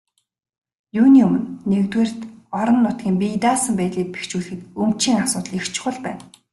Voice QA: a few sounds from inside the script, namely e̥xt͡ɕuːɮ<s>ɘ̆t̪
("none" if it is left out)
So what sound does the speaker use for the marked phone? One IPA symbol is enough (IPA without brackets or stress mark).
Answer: x